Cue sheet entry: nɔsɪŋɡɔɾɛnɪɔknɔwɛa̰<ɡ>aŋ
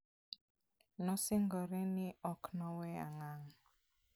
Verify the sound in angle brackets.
incorrect: ŋ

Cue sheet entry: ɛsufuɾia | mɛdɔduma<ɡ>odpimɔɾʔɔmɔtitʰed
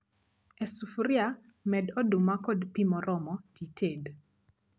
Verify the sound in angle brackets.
incorrect: k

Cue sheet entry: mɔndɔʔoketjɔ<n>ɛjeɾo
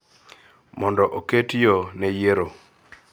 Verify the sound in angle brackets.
correct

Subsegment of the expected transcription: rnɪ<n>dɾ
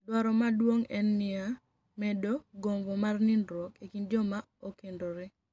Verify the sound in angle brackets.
correct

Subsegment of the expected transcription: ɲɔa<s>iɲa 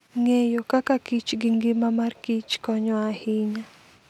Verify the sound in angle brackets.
incorrect: h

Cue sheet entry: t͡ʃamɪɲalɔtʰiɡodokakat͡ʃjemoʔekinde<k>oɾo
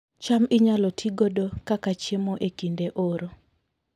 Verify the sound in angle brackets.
incorrect: ʔ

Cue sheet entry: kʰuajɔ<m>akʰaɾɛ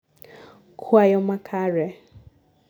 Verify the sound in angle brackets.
correct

